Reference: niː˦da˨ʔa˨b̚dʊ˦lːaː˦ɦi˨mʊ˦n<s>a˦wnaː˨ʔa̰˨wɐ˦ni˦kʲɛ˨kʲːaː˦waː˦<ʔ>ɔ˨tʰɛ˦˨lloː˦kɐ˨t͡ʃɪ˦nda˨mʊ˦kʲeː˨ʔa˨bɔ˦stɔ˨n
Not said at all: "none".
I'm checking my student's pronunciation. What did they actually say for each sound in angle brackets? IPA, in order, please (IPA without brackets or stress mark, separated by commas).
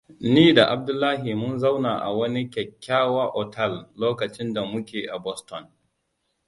z, ʔ